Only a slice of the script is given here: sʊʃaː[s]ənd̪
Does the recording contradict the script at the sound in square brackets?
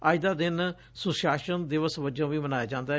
yes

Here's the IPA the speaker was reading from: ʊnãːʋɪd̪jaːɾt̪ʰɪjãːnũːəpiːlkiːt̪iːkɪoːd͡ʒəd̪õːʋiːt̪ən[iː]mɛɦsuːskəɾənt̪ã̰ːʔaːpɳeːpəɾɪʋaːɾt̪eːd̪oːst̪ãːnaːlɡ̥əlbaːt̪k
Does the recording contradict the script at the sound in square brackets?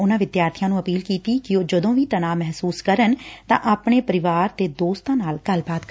yes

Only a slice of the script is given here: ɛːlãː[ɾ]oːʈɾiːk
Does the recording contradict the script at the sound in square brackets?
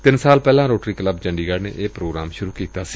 no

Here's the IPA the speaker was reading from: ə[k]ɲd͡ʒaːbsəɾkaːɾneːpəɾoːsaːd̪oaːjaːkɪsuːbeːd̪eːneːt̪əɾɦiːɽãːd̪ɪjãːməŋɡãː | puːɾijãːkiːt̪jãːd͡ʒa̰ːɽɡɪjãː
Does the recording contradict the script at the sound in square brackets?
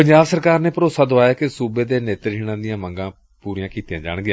yes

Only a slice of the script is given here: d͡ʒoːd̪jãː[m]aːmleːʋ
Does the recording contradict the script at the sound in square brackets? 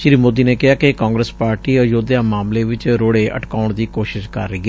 no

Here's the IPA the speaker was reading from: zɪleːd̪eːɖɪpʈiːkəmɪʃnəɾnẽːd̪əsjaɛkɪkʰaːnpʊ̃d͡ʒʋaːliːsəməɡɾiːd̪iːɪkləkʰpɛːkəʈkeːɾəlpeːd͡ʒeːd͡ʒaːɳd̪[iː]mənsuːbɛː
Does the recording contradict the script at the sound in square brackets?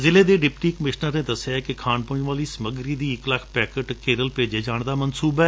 yes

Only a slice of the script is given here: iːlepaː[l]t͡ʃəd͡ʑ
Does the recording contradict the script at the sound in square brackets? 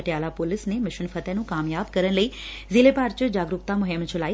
yes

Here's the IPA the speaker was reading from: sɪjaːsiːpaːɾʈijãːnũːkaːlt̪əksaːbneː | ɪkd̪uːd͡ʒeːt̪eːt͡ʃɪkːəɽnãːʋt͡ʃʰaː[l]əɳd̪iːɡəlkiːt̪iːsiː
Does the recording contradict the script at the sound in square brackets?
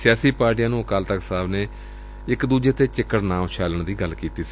no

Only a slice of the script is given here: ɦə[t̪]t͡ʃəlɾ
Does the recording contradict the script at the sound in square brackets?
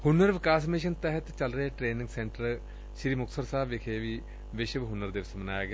no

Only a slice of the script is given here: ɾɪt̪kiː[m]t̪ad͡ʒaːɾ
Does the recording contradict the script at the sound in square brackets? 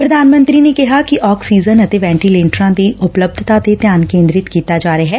yes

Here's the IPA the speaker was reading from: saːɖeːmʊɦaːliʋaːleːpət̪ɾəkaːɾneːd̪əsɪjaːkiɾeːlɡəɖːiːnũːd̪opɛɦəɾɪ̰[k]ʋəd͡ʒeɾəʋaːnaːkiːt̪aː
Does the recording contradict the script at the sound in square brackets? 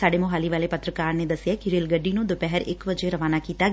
no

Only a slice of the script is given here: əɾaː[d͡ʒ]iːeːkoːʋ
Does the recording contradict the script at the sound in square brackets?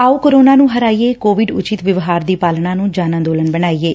yes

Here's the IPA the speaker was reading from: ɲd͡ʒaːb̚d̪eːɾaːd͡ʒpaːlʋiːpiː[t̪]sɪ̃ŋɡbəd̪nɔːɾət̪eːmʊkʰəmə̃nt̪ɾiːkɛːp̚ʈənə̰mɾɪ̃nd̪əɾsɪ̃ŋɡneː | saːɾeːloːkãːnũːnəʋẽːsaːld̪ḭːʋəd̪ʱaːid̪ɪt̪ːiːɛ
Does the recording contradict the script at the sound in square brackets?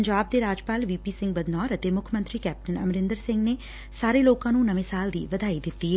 yes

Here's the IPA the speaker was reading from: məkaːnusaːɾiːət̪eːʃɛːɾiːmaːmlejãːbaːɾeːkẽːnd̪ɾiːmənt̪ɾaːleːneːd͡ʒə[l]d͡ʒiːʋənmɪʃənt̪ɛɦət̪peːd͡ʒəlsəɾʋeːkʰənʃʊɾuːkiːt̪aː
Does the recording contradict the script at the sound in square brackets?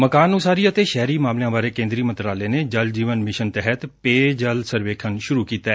no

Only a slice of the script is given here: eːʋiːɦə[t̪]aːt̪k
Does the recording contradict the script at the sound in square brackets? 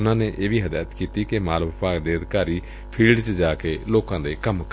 yes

